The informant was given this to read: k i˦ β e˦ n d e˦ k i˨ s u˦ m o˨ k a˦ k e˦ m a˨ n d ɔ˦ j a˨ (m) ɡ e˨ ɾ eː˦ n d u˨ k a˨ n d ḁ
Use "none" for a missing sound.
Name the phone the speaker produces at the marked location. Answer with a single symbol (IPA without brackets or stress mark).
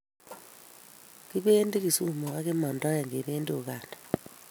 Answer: ŋ